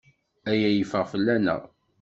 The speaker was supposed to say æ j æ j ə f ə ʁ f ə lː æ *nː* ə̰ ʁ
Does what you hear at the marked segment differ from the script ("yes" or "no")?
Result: yes